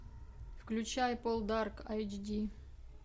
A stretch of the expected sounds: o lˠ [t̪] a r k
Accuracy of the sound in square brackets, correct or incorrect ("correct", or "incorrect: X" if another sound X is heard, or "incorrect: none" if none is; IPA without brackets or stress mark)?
incorrect: d̪